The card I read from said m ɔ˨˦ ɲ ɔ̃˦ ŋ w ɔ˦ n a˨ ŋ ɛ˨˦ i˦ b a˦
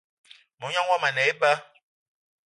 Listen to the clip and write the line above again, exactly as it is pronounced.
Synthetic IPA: m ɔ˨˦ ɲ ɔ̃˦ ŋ w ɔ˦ m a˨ n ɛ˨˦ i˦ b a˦